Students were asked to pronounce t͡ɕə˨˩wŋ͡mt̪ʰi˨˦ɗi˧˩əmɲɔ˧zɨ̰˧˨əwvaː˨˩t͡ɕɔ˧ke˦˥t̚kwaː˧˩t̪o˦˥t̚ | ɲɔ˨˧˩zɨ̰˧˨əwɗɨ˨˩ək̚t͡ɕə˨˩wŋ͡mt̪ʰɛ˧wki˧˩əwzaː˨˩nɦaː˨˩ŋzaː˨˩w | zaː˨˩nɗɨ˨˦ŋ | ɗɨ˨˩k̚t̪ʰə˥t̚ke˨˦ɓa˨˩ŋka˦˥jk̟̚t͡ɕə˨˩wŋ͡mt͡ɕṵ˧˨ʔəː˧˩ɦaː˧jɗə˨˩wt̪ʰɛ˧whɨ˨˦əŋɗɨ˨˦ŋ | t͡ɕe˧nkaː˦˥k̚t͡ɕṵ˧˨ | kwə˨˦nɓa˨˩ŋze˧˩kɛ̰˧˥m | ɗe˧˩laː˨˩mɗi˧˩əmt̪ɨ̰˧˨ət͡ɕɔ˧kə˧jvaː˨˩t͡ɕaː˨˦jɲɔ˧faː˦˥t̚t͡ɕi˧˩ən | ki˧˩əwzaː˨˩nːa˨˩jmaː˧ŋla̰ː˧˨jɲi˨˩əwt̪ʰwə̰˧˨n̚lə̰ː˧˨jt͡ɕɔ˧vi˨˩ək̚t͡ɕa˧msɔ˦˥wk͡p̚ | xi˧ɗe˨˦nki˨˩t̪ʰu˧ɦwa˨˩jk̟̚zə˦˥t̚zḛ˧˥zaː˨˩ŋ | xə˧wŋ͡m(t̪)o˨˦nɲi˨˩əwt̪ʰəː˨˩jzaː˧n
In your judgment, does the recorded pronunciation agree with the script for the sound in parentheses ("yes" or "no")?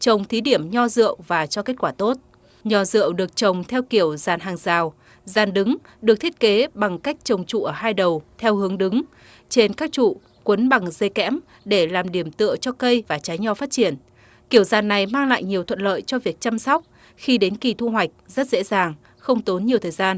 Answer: yes